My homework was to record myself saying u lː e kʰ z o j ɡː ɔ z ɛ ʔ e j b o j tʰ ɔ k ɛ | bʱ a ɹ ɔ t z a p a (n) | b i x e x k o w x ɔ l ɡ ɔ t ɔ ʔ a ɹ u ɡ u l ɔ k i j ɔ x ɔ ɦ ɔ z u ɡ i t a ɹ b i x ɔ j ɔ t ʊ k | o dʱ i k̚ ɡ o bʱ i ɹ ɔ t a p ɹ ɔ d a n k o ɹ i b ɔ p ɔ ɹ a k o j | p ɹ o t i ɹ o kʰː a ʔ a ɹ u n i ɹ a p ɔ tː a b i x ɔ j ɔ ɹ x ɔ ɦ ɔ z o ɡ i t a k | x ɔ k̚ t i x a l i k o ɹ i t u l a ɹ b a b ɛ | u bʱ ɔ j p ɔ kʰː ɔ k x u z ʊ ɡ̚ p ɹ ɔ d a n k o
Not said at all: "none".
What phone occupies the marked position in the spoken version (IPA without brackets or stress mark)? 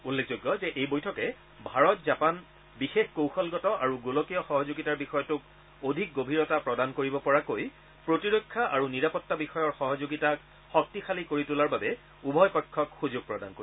n